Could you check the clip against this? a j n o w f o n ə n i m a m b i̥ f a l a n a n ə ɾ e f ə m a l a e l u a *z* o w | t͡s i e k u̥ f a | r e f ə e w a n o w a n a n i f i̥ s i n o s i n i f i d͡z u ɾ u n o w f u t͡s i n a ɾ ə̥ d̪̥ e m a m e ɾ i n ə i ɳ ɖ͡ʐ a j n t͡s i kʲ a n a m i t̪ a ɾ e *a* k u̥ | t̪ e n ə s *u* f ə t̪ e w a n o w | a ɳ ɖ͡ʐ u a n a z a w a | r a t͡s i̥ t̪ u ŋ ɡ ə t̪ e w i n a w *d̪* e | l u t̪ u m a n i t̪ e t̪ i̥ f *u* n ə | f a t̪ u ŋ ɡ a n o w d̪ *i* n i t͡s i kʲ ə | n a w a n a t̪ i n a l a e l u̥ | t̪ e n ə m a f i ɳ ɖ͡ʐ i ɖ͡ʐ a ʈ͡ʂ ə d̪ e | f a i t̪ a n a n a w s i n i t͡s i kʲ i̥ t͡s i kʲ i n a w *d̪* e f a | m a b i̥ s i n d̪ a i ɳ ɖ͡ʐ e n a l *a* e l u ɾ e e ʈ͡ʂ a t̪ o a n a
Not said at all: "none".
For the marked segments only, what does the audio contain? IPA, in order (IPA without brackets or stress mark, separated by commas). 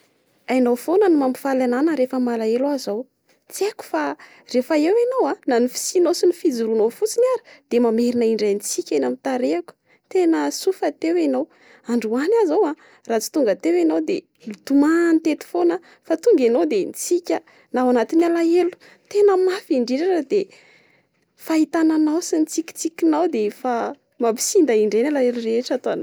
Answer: z, a, u, d̪, o, e, d̪, a